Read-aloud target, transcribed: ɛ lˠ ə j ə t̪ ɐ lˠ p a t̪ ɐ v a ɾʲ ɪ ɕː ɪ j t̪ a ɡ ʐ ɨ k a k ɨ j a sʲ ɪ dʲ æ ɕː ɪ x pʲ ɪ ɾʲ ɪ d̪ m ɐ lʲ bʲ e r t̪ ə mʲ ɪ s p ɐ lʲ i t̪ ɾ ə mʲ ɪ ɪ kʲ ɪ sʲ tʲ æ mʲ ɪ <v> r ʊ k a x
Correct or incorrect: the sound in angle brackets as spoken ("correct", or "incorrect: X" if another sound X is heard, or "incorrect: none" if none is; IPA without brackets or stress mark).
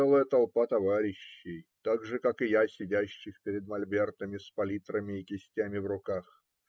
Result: correct